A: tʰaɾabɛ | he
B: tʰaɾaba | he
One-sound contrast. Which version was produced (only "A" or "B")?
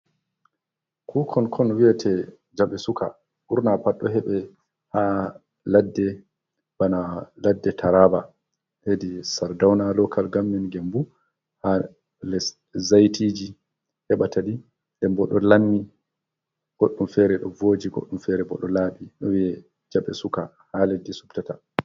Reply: B